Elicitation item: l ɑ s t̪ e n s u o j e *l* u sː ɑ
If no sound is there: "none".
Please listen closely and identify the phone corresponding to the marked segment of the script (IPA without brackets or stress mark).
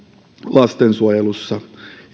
l